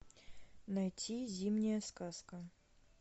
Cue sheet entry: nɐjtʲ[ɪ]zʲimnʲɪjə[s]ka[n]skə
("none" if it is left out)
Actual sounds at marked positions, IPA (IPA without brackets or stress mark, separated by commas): i, s, none